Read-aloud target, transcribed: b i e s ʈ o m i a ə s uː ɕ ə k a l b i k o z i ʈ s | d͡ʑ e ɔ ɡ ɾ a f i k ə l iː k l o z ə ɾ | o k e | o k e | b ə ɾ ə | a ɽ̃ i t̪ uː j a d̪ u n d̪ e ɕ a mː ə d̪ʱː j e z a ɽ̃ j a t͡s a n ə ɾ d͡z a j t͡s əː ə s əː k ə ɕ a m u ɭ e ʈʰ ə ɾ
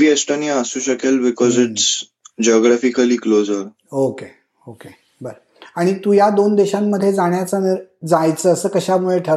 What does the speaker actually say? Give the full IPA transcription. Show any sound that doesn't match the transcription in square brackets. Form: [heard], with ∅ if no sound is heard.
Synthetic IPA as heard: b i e s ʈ o [n] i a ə s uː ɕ ə k [e] l b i k [ɔ] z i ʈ s | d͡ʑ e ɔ ɡ ɾ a f i k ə l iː k l o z ə ɾ | o k e | o k e | b ə ɾ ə | a ɽ̃ i t̪ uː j a d̪ [o] n d̪ e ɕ a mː ə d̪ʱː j e [d͡z] a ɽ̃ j a t͡s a n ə ɾ d͡z a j t͡s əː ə s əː k ə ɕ a m u ɭ e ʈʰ ə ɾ